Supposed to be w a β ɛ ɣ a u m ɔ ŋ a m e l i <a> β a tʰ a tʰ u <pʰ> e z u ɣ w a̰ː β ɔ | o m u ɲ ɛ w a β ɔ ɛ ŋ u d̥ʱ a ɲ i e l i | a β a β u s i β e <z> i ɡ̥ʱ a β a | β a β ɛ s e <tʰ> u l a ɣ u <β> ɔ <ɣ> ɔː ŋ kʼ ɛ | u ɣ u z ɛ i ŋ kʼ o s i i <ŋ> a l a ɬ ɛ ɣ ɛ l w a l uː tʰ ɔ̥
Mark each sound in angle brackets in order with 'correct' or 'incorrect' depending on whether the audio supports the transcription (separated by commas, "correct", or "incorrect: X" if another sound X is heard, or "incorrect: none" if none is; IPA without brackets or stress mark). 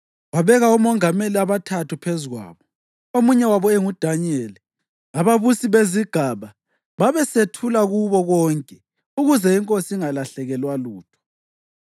correct, correct, correct, correct, correct, correct, correct